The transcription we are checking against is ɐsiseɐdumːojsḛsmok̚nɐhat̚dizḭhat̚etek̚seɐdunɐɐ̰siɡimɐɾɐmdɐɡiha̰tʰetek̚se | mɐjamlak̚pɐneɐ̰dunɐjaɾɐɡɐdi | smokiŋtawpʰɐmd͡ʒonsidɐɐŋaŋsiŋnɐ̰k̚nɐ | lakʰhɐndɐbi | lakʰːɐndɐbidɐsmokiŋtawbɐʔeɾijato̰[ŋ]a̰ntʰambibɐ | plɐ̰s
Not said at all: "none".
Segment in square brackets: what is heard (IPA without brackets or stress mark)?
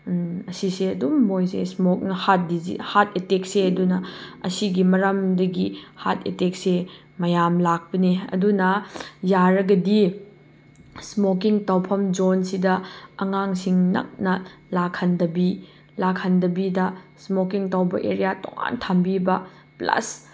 ŋ